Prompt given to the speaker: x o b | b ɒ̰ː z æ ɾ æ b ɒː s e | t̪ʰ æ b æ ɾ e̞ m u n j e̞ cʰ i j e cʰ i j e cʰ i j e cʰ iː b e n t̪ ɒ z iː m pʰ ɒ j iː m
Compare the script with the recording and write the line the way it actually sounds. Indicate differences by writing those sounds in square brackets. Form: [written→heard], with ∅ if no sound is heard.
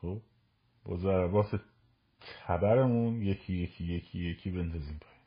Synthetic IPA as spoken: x o b | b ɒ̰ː z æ ɾ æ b ɒː s e | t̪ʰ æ b æ ɾ e̞ m u n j e̞ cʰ i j e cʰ i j e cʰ i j e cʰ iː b e n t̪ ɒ z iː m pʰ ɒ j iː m